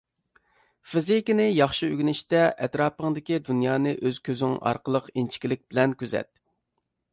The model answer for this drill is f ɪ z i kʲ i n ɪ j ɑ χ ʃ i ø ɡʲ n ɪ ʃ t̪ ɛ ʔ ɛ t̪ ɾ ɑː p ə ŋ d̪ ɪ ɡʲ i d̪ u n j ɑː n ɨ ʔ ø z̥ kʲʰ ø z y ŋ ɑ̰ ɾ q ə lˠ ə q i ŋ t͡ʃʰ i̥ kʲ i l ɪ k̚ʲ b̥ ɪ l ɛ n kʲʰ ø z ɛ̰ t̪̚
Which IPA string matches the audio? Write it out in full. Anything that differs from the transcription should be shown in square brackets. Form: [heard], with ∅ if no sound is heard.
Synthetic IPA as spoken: f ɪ z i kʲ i n ɪ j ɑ χ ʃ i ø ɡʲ n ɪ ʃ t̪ ɛ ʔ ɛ t̪ ɾ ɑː p ə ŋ d̪ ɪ [kʲ] i d̪ u n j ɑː n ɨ ʔ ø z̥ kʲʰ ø z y ŋ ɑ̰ ɾ q ə lˠ ə q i [n] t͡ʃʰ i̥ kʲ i l ɪ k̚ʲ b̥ ɪ l ɛ n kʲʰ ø z ɛ̰ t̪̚